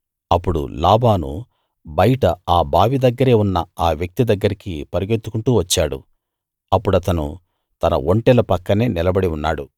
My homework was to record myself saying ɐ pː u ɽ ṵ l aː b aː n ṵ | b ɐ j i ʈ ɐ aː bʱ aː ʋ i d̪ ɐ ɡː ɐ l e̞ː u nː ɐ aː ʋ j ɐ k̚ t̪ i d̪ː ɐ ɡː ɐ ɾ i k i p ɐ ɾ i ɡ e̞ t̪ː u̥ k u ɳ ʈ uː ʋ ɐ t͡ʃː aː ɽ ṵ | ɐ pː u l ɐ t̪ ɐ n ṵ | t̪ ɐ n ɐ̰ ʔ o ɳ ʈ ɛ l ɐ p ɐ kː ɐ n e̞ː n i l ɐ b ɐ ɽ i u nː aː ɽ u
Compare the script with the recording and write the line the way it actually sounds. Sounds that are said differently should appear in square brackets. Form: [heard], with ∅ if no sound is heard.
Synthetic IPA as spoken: ɐ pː u ɽ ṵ l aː b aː n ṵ | b ɐ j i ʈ ɐ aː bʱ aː ʋ i d̪ ɐ ɡː ɐ [ɾ] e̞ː u nː ɐ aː ʋ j ɐ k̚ t̪ i [d̪] ɐ ɡː ɐ ɾ i k i p ɐ ɾ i ɡ e̞ t̪ː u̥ k u ɳ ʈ uː ʋ ɐ t͡ʃː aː ɽ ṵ | ɐ pː u [ɽ] ɐ t̪ ɐ n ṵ | t̪ ɐ n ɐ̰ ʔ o ɳ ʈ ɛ l ɐ p ɐ kː ɐ n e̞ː n i l ɐ b ɐ ɽ i u nː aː ɽ u